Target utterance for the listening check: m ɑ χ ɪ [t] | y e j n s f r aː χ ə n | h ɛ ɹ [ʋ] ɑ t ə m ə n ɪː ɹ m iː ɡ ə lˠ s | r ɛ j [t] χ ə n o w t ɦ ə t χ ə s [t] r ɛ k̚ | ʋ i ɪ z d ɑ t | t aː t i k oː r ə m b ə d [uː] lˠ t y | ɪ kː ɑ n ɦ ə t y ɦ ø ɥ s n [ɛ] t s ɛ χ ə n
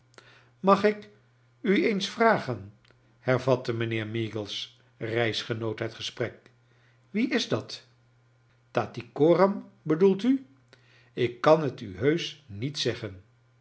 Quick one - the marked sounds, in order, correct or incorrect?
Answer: incorrect: k, incorrect: v, incorrect: s, incorrect: p, incorrect: u, incorrect: i

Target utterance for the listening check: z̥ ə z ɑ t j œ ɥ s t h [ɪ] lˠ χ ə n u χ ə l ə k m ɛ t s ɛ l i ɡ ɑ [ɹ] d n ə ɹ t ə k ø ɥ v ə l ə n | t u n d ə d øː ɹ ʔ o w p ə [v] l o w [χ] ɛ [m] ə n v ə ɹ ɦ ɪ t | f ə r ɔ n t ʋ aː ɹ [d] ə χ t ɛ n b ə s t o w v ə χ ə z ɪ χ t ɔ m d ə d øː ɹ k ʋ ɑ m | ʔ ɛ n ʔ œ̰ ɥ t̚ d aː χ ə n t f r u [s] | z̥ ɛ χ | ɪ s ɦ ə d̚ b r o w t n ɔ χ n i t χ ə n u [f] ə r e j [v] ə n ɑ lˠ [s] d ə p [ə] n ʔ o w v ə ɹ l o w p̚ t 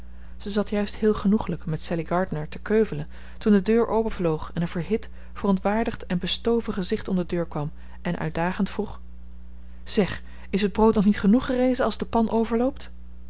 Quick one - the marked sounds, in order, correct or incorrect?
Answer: incorrect: ɪː, correct, correct, correct, incorrect: n, correct, incorrect: χ, incorrect: χ, incorrect: z, incorrect: z, incorrect: ɑ

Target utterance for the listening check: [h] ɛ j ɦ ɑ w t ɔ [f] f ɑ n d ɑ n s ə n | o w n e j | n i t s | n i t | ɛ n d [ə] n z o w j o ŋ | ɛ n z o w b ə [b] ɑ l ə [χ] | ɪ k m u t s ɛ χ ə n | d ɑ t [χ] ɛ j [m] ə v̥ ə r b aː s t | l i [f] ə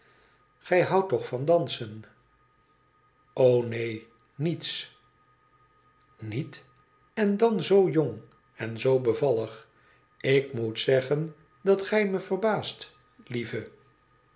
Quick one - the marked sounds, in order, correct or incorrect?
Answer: incorrect: χ, incorrect: χ, incorrect: ɑ, incorrect: v, correct, correct, correct, incorrect: v

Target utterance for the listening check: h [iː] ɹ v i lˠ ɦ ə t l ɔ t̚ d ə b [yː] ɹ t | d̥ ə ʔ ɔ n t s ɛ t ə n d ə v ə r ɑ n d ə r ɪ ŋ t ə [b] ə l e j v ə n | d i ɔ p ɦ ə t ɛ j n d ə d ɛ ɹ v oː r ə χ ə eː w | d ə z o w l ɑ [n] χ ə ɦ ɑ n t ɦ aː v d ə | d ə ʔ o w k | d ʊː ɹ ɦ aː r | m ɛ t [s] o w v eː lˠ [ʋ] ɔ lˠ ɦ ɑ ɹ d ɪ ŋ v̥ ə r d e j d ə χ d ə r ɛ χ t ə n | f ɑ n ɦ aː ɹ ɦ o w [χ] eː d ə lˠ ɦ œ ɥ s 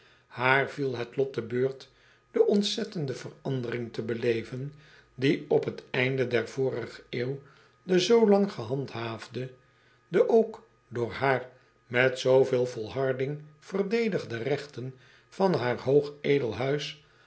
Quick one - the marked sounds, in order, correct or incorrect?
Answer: incorrect: aː, incorrect: øː, correct, incorrect: ŋ, correct, incorrect: v, correct

